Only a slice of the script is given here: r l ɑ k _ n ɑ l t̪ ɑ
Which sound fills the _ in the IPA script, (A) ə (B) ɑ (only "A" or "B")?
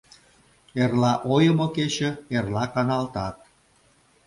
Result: B